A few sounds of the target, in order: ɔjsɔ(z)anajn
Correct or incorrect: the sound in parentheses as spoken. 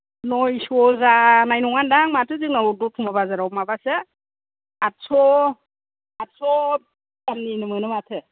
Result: correct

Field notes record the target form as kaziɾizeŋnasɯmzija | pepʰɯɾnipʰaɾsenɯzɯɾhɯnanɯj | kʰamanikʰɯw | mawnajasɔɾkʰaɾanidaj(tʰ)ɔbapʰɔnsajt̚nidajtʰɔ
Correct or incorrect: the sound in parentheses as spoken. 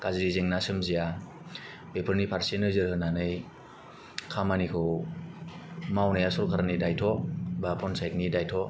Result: correct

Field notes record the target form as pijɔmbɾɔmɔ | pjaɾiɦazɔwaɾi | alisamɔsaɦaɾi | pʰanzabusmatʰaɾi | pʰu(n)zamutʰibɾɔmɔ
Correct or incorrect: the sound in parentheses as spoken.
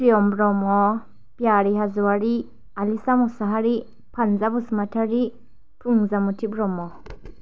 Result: incorrect: ŋ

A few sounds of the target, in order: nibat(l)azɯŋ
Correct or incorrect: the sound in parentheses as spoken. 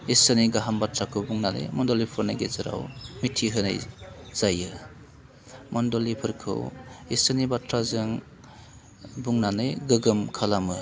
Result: incorrect: ɾ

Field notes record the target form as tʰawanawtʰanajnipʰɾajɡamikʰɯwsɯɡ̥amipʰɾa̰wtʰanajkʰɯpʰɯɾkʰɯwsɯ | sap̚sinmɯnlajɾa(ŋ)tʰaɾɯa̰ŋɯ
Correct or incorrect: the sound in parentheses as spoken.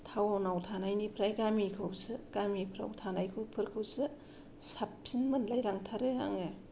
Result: correct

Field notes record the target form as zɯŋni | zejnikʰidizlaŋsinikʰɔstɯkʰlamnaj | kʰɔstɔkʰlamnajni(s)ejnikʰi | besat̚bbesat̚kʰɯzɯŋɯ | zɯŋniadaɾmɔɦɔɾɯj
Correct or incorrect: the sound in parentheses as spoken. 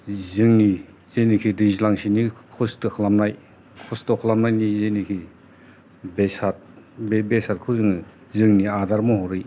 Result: incorrect: z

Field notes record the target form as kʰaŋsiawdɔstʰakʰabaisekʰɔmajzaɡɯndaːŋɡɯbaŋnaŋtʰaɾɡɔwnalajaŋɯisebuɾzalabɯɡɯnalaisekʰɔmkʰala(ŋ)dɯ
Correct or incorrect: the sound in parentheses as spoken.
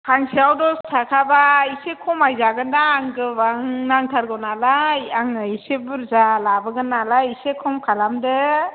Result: incorrect: m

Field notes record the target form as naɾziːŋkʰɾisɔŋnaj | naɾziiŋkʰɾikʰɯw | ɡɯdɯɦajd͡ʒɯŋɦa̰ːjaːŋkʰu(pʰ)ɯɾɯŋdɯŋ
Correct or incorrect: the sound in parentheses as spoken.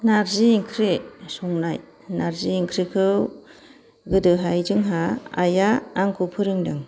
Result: correct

